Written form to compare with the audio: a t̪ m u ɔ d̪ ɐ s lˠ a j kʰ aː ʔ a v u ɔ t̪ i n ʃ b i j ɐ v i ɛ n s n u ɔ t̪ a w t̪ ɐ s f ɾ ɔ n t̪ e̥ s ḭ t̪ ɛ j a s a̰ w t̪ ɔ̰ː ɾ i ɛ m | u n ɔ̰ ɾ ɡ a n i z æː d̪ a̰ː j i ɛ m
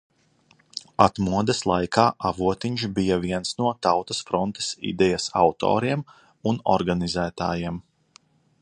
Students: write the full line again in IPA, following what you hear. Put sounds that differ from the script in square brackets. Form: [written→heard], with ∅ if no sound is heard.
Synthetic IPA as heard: a t̪ m u ɔ d̪ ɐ s lˠ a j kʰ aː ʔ a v u ɔ t̪ i [n→ɲ] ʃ b i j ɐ v i ɛ n s n u ɔ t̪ a w t̪ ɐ s f ɾ ɔ n t̪ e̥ s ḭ [t̪→d̪] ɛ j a s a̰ w t̪ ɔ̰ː ɾ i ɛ m | u n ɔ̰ ɾ ɡ a n i z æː [d̪→t̪] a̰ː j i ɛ m